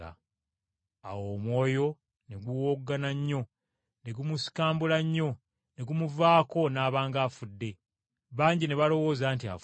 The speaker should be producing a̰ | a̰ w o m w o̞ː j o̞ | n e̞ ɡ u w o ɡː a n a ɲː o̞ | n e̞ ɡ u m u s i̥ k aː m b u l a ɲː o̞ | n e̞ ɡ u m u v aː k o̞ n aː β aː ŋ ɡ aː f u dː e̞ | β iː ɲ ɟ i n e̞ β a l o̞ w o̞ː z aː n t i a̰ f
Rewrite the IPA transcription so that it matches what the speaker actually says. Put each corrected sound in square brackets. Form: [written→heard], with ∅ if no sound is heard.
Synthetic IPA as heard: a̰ | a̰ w o m w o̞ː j o̞ | n e̞ ɡ u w o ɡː a n a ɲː o̞ | n e̞ ɡ u m u s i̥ k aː m b u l a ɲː o̞ | n e̞ ɡ u m u v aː k o̞ n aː β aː ŋ ɡ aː f u dː e̞ | β [iː→aː] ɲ ɟ i n e̞ β a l o̞ w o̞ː z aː n t i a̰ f